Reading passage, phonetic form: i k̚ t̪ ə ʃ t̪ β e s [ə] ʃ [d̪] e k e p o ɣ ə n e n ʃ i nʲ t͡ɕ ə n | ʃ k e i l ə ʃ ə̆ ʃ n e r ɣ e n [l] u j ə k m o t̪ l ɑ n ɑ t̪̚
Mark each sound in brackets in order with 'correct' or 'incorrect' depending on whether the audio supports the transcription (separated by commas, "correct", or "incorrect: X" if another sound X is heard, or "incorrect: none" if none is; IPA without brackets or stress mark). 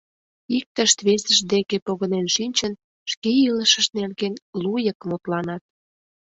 correct, correct, correct